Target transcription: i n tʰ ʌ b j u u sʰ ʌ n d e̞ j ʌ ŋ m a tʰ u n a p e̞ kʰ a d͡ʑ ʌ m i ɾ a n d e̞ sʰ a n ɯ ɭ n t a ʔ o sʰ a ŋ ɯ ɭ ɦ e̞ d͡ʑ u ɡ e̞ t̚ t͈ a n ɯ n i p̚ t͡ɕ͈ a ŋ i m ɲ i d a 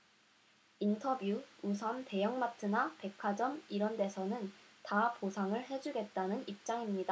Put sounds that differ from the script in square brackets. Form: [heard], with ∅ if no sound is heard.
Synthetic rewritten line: i n tʰ ʌ b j u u sʰ ʌ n [t] e̞ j ʌ ŋ m a tʰ [ɯ] n a p e̞ kʰ a d͡ʑ ʌ m i ɾ [ʌ] n d e̞ sʰ [ʌ] n ɯ [∅] n t a [p] o sʰ a ŋ ɯ ɭ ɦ e̞ d͡ʑ u ɡ e̞ t̚ t͈ a n ɯ n i p̚ t͡ɕ͈ a ŋ i m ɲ i d a